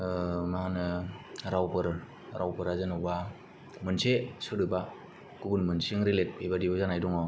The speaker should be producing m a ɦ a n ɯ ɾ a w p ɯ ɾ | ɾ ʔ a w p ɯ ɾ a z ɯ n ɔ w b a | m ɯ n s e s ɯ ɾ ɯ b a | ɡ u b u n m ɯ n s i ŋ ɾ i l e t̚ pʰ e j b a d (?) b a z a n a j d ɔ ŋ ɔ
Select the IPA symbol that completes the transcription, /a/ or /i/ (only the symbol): i